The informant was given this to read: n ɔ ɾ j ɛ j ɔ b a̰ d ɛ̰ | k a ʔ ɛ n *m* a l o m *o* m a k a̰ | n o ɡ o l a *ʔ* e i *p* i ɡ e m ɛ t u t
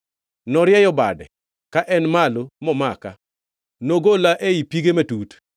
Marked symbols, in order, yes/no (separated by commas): yes, no, yes, yes